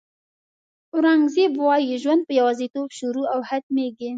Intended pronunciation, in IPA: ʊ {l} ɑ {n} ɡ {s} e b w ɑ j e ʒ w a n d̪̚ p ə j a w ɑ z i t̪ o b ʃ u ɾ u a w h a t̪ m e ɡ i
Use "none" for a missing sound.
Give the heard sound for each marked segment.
ɾ, ŋ, z

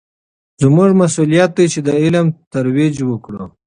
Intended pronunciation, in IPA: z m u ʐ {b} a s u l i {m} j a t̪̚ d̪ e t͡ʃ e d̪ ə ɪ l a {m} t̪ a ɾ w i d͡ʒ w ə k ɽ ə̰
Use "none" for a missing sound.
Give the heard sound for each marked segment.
m, none, m

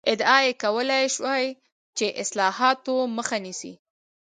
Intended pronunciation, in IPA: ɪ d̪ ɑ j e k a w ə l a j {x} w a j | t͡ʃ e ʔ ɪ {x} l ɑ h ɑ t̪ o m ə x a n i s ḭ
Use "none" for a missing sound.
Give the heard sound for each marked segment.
ʃ, s

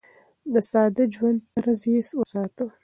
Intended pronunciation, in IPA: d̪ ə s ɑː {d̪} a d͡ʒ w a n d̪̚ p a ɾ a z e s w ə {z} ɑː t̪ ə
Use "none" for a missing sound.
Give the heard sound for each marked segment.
d̪, s

